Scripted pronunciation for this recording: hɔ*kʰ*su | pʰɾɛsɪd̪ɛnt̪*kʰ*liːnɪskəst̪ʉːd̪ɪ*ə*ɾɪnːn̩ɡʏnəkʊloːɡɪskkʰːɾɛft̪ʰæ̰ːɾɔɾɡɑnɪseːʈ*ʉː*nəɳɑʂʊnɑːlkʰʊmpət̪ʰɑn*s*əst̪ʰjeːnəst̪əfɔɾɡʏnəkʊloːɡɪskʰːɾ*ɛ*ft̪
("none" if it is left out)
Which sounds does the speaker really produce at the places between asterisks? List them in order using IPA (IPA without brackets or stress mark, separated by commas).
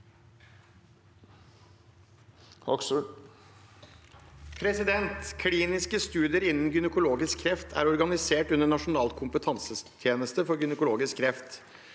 k, kʰ, ə, ʉ, s, ɛ